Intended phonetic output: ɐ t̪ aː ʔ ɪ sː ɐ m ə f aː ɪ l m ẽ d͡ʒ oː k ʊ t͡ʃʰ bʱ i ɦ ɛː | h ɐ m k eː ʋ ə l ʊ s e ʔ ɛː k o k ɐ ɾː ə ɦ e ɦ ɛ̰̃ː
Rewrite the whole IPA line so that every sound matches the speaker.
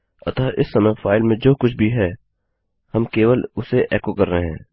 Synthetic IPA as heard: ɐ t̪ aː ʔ ɪ sː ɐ m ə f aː ɪ l m ẽ d͡ʒ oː k ʊ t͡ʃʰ bʱ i ɦ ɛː | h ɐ m k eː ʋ ə l ʊ s e ʔ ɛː k o k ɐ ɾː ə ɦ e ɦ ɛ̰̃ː

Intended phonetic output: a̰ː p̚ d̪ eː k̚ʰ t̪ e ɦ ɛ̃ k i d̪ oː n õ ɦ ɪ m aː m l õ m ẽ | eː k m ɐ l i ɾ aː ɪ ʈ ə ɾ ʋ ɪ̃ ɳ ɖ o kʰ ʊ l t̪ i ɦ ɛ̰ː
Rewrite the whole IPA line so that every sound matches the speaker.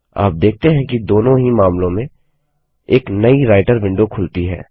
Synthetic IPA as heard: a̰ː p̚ d̪ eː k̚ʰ t̪ e ɦ ɛ̃ k i d̪ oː n õ ɦ i m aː m l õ m ẽ | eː k n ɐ i ɾ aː ɪ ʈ ə ɾ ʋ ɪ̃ ɳ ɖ o kʰ ʊ l t̪ i ɦ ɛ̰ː

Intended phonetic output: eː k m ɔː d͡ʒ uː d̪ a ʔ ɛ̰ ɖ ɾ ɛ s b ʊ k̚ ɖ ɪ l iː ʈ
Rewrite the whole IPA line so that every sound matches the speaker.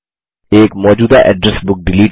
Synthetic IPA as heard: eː k m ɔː d͡ʒ uː d̪ a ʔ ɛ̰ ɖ ɾ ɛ s b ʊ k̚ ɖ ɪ l iː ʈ

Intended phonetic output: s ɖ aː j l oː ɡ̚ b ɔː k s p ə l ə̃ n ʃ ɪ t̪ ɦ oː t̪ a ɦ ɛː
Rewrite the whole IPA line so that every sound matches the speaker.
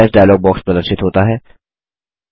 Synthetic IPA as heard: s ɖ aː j l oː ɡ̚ b ɔː k s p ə l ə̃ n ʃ ɪ t̪ ɦ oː t̪ a ɦ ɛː

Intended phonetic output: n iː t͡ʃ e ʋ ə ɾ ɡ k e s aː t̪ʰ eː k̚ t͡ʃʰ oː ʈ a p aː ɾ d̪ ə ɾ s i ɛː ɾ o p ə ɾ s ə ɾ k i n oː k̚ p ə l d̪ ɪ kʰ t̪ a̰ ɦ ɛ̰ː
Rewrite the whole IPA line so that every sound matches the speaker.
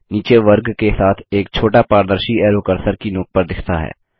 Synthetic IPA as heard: n iː t͡ʃ e ʋ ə ɾ ɡ k e s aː t̪ʰ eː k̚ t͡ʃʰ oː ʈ a p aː ɾ d̪ ə ɾ ʃ i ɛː ɾ o k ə ɾ s ə ɾ k i n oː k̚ p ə ɾ d̪ ɪ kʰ t̪ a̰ ɦ ɛ̰ː

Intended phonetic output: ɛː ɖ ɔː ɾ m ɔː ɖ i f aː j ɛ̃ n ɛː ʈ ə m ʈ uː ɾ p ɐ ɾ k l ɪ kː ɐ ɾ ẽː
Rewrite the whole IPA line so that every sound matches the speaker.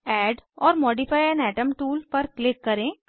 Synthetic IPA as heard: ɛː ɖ ɔː ɾ m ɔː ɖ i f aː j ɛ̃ n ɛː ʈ ə m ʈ uː l p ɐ ɾ k l ɪ kː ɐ ɾ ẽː

